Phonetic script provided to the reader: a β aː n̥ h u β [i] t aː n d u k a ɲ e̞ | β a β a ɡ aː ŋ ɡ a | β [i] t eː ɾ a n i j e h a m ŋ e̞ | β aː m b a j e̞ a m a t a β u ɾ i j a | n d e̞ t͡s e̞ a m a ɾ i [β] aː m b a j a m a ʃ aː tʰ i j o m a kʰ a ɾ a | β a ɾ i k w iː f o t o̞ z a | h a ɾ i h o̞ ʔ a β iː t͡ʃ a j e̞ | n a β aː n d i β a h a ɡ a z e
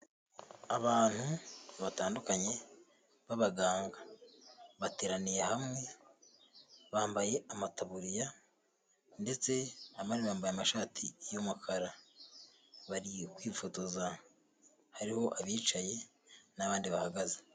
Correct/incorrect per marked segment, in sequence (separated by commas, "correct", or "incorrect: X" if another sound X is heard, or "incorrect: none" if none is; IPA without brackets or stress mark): incorrect: a, incorrect: a, correct